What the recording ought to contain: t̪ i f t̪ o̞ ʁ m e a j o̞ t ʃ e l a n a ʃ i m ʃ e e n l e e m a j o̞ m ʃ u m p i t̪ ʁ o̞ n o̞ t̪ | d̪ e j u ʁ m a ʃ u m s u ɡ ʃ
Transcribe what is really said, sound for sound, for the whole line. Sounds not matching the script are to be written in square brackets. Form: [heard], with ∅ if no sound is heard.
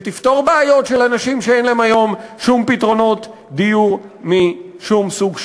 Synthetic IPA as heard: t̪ i f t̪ o̞ ʁ [b] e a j o̞ t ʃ e l a n a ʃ i m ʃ e e n l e e m a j o̞ m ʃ u m p i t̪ ʁ o̞ n o̞ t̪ | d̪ [i] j u ʁ m [i] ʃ u m s u ɡ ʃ